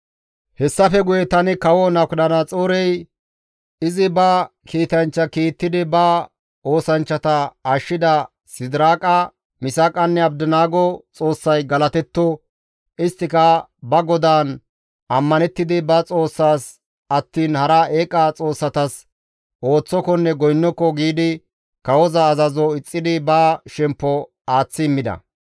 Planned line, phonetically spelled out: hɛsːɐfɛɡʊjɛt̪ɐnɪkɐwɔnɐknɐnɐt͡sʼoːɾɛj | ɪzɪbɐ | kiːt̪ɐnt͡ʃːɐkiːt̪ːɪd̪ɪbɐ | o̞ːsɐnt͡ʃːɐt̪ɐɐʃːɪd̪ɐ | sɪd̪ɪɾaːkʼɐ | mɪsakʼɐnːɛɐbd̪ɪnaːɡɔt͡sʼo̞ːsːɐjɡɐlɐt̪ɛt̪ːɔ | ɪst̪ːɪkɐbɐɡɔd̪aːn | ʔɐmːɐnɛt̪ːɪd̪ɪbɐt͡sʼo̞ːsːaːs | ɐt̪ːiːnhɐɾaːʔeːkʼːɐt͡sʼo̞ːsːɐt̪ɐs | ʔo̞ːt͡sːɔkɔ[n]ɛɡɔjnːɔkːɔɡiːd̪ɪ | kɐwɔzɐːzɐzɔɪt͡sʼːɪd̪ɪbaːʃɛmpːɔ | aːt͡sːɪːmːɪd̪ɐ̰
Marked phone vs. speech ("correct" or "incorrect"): incorrect